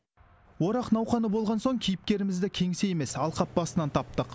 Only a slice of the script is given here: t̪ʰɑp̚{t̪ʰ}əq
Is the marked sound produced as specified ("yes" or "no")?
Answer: no